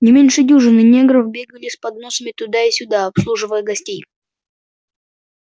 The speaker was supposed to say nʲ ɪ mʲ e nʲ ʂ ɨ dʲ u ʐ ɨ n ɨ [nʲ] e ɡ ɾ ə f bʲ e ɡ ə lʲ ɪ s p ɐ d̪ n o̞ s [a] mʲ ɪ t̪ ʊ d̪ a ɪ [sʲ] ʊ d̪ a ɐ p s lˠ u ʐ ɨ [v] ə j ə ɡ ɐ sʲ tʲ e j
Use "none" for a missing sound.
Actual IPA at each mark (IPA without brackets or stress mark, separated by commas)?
nʲ, ə, sʲ, v